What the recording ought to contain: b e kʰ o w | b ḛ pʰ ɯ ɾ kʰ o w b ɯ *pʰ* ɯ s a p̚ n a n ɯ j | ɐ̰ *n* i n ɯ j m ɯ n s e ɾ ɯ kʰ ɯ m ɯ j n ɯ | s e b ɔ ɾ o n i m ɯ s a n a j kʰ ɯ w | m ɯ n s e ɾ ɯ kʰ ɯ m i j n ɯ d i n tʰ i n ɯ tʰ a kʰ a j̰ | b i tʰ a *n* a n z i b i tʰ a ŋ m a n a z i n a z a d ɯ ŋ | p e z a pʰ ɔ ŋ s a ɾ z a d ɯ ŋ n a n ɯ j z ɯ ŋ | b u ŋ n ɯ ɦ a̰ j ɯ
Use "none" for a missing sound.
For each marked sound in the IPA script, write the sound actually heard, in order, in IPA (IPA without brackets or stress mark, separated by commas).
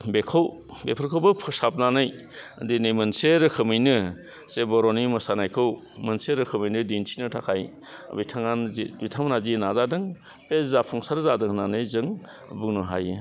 pʰ, d, ŋ